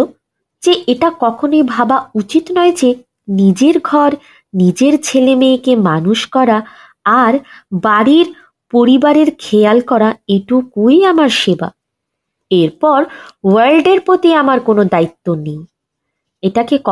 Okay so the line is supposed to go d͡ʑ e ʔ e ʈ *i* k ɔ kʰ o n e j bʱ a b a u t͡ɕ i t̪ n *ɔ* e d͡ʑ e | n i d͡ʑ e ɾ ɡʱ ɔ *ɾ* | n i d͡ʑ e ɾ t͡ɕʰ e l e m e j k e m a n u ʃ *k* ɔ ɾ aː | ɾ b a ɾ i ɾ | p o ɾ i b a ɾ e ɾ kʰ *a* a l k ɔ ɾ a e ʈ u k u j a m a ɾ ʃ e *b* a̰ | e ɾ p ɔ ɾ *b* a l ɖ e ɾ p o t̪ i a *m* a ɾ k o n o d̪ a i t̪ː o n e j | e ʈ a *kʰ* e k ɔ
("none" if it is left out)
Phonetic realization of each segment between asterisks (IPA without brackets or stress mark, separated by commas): a, ɔ, ɾ, k, e, b, w, m, k